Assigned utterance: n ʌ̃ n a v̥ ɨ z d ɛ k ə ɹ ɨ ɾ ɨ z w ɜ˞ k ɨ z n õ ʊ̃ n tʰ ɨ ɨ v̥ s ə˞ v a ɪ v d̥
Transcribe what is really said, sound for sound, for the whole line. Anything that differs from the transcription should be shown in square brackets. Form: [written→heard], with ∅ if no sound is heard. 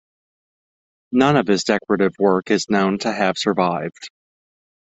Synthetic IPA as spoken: n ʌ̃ n [a→ʌ] v̥ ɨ z d ɛ k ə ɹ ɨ ɾ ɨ [z→v] w ɜ˞ k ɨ z n õ ʊ̃ n tʰ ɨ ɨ v̥ s ə˞ v a ɪ v d̥